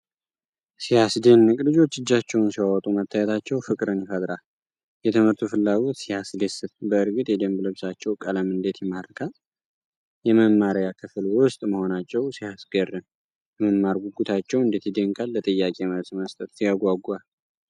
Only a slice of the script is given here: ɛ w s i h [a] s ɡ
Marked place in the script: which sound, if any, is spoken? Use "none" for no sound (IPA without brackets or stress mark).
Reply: a